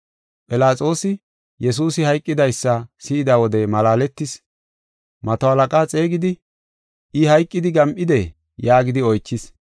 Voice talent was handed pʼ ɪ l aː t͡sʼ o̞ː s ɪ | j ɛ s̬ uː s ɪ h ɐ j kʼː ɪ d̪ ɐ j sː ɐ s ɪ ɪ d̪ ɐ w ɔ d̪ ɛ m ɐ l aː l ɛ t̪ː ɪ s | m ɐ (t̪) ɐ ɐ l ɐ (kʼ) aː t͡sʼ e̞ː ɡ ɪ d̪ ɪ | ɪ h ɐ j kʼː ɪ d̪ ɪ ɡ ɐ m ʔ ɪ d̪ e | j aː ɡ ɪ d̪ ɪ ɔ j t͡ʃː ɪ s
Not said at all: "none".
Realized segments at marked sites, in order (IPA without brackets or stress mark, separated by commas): t̪, kʼ